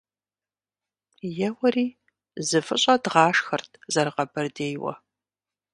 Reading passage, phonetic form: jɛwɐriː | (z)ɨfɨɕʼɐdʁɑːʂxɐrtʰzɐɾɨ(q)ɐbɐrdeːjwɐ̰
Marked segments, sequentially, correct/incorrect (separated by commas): correct, correct